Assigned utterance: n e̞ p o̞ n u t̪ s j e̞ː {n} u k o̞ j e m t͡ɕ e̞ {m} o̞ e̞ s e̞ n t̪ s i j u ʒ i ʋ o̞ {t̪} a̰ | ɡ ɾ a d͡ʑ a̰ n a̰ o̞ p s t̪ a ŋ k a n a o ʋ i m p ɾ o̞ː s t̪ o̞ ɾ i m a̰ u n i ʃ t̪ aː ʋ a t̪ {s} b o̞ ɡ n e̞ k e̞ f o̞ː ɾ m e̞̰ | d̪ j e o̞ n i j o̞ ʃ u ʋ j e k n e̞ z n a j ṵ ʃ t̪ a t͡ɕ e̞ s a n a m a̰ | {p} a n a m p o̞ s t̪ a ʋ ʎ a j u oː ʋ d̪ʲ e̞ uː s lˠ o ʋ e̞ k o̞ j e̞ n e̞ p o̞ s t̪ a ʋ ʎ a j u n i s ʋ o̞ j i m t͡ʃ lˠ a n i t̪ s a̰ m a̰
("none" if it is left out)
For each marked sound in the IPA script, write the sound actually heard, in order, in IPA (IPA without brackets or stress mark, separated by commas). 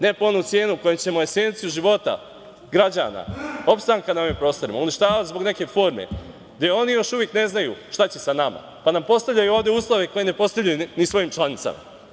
n, m, t̪, z, p